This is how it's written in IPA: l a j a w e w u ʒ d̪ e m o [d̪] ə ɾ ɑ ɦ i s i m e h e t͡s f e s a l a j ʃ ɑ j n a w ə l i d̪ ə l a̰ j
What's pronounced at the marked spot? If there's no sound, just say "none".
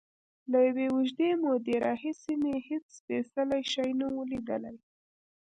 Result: d̪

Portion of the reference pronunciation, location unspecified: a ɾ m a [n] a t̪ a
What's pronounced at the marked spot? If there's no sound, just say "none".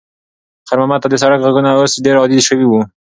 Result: m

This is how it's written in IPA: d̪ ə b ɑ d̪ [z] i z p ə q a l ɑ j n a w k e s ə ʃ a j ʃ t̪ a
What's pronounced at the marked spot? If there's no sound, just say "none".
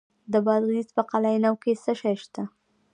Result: ɣ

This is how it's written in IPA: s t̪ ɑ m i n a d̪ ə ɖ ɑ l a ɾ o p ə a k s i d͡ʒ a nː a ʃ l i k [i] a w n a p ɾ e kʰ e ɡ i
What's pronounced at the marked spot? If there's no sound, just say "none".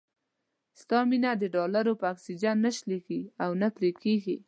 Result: i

